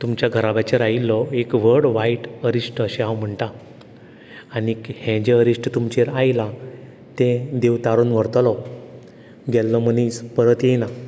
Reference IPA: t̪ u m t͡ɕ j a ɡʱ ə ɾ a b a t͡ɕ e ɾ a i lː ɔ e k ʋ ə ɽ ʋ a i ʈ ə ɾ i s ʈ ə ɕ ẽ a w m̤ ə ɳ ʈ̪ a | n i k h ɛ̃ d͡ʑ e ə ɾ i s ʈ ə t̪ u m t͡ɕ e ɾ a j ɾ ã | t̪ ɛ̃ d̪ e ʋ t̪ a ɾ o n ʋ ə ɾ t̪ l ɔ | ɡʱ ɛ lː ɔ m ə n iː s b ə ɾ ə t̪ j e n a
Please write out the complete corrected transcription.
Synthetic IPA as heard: t̪ u m t͡ɕ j a ɡʱ ə ɾ a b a t͡ɕ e ɾ a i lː ɔ e k ʋ ə ɽ ʋ a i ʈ ə ɾ i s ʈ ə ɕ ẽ a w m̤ ə ɳ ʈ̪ a | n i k h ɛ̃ d͡ʑ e ə ɾ i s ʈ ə t̪ u m t͡ɕ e ɾ a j l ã | t̪ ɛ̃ d̪ e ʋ t̪ a ɾ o n ʋ ə ɾ t̪ l ɔ | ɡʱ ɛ lː ɔ m ə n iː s p ə ɾ ə t̪ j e n a

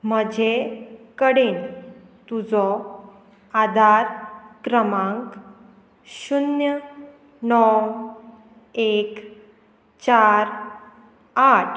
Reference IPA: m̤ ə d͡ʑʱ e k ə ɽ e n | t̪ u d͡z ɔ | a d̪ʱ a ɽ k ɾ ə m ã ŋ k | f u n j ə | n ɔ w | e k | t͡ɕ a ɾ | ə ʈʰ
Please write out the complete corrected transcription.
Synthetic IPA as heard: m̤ ə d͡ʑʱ e k ə ɽ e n | t̪ u d͡z ɔ | a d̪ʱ a ɾ k ɾ ə m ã ŋ k | ɕ u n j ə | n ɔ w | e k | t͡ɕ a ɾ | a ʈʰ

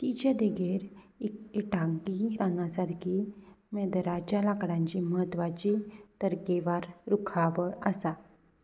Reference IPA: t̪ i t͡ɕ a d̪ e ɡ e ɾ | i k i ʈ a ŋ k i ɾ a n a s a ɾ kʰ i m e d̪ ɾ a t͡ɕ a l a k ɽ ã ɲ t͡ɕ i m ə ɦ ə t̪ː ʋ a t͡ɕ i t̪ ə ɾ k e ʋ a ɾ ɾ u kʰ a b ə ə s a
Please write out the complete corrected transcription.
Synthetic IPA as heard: t̪ i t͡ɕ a d̪ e ɡ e ɾ | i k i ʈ a ŋ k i ɾ a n a s a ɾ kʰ i m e d̪ ɾ a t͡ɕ a l a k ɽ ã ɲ t͡ɕ i m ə ɦ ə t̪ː ʋ a t͡ɕ i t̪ ə ɾ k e ʋ a ɾ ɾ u kʰ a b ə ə s a

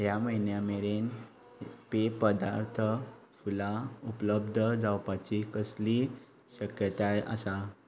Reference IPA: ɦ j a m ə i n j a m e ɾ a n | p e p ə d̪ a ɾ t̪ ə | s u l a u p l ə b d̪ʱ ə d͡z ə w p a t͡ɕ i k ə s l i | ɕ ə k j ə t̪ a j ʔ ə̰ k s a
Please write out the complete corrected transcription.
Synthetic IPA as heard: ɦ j a m ə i n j a m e ɾ e n | p e p ə d̪ a ɾ t̪ʰ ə | f u l a u p l ə b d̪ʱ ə d͡z a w p a t͡ɕ i k ə s l i | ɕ ə k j ə t̪ a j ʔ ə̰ s a

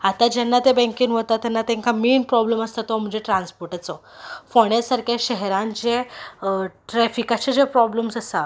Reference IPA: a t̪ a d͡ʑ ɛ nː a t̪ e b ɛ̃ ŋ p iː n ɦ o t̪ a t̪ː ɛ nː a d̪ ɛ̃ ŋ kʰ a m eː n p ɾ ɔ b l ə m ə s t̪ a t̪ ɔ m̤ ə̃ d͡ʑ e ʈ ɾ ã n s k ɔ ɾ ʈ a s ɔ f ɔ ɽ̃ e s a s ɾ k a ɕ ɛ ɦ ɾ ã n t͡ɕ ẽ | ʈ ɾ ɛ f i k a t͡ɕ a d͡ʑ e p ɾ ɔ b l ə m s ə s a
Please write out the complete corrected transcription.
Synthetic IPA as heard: a t̪ a d͡ʑ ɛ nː a t̪ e b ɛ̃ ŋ k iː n ɦ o t̪ a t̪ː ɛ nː a t̪ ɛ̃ ŋ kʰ a m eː n p ɾ ɔ b l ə m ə s t̪ a t̪ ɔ m̤ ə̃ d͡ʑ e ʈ ɾ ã n s p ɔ ɾ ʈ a t͡s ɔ f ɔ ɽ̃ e s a ɾ k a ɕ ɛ ɦ ɾ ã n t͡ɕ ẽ | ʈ ɾ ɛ f i k a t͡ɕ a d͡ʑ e p ɾ ɔ b l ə m s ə s a

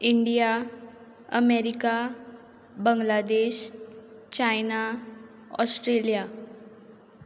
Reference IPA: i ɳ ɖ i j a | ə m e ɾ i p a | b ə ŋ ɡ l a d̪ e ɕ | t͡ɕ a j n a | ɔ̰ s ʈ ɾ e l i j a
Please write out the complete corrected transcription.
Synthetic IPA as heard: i ɳ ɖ i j a | ə m e ɾ i k a | b ə ŋ ɡ l a d̪ e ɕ | t͡ɕ a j n a | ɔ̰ s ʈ ɾ e l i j a

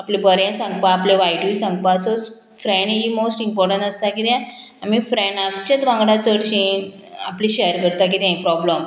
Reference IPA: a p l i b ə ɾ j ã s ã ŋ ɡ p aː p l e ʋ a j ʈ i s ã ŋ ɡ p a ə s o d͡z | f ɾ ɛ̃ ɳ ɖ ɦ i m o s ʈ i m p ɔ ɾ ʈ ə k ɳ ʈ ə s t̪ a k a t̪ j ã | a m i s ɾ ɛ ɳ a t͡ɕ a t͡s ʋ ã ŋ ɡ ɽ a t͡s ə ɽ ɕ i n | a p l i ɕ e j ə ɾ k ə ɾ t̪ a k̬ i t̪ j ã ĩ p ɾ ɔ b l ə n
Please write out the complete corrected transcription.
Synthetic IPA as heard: a p l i b ə ɾ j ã s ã ŋ ɡ p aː p l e ʋ a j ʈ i s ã ŋ ɡ p a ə s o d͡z | f ɾ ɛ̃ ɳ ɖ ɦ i m o s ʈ i m p ɔ ɾ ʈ ə ɳ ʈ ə s t̪ a k i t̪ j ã | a m i f ɾ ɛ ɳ a t͡ɕ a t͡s ʋ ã ŋ ɡ ɽ a t͡s ə ɽ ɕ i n | a p l i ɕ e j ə ɾ k ə ɾ t̪ a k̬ i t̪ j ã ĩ p ɾ ɔ b l ə m

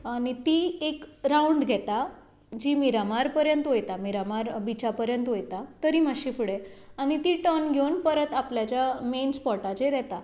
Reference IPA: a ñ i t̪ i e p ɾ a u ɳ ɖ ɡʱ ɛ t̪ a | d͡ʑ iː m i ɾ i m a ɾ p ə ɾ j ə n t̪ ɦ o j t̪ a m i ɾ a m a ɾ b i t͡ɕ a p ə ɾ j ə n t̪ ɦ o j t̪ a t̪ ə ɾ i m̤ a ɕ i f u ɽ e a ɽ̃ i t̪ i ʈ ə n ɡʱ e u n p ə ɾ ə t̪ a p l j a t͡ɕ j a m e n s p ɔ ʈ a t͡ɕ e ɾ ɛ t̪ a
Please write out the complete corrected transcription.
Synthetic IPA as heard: a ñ i t̪ i e k ɾ a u ɳ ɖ ɡʱ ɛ t̪ a | d͡ʑ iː m i ɾ a m a ɾ p ə ɾ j ə n t̪ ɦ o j t̪ a m i ɾ a m a ɾ b i t͡ɕ a p ə ɾ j ə n t̪ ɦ o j t̪ a t̪ ə ɾ i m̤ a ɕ i f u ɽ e a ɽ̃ i t̪ i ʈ ə n ɡʱ e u n p ə ɾ ə t̪ a p l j a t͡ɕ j a m e n s p ɔ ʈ a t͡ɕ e ɾ ɛ t̪ a

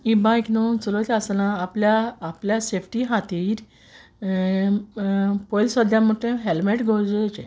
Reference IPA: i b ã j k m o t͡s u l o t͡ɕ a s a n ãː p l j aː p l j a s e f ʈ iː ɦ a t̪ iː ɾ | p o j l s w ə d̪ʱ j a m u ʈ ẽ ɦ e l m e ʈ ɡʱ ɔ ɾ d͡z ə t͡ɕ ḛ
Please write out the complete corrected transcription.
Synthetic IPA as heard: i b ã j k n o t͡s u l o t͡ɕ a s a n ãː p l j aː p l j a s e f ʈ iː ɦ a t̪ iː ɾ | p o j l s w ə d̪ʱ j a m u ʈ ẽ ɦ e l m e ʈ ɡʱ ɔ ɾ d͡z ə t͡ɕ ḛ

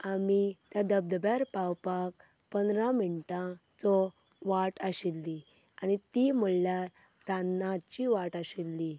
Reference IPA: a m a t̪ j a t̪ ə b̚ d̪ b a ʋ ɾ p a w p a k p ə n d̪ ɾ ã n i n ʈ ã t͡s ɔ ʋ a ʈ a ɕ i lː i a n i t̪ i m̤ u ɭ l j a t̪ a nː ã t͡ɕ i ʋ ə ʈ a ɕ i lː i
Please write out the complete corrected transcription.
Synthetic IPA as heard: a m i t̪ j a d̪ ə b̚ d̪ b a ɾ p a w p a k p ə n d̪ ɾ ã m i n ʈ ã t͡s ɔ ʋ a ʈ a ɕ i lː i a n i t̪ i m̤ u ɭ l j a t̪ a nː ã t͡ɕ i ʋ a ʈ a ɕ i lː i

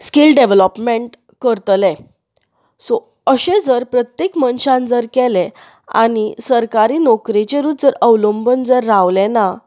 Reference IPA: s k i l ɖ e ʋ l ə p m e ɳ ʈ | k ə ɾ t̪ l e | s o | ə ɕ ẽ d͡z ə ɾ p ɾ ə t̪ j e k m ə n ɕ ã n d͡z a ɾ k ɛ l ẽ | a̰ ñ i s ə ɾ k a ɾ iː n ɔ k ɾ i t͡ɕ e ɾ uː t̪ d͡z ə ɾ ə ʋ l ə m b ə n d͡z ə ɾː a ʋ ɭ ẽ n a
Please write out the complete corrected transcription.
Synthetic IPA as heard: s k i l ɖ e ʋ l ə p m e ɳ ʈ | k ə ɾ t̪ l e | s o | ə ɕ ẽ d͡z ə ɾ p ɾ ə t̪ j e k m ə n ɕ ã n d͡z ə ɾ k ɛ l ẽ | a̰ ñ i s ə ɾ k a ɾ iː n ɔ k ɾ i t͡ɕ e ɾ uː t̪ d͡z ə ɾ ə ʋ l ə m b ə n d͡z ə ɾː a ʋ l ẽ n a

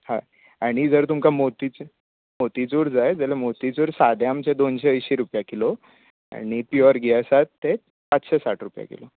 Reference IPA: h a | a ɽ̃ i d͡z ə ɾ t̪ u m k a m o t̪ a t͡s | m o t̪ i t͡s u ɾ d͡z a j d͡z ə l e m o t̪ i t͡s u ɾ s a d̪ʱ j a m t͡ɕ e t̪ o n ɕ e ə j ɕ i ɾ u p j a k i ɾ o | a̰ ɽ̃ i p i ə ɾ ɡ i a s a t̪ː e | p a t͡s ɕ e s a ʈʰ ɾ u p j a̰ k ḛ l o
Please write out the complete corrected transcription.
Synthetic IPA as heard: h a | a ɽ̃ i d͡z ə ɾ t̪ u m k a m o t̪ i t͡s | m o t̪ i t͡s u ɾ d͡z a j d͡z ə l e m o t̪ i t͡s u ɾ s a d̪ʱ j a m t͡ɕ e d̪ o n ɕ e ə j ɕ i ɾ u p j a k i l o | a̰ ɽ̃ i p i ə ɾ ɡ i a s a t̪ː e | p a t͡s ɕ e s a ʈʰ ɾ u p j a̰ k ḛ l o

